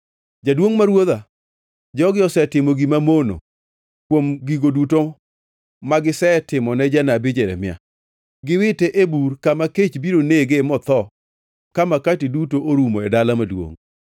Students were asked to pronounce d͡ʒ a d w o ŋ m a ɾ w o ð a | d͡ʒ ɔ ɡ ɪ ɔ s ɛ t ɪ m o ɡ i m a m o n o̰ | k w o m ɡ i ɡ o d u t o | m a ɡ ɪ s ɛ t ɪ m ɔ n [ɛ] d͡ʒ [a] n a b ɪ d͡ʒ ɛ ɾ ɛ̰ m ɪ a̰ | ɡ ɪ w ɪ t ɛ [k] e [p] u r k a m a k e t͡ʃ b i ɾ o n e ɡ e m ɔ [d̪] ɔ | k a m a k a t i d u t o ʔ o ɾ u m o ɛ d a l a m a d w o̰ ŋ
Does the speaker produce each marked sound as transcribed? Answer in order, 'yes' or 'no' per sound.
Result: yes, yes, no, no, no

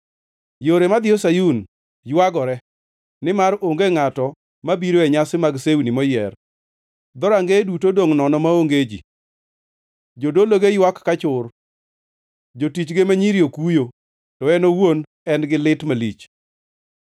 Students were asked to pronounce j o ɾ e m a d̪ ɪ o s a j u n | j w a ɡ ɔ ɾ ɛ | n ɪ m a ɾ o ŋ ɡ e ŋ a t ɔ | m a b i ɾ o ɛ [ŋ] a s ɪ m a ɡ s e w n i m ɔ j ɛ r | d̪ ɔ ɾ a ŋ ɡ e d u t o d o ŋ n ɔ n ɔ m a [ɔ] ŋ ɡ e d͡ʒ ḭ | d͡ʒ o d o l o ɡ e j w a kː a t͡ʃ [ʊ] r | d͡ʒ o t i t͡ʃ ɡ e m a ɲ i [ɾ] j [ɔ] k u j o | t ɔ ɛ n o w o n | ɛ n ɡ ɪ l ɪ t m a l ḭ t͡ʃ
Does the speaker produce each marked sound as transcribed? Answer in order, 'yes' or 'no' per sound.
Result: no, no, yes, yes, no

